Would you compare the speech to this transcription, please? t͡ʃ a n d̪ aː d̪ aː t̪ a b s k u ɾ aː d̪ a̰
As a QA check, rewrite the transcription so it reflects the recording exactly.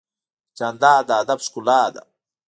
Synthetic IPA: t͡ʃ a n d̪ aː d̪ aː d̪ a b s k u l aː d̪ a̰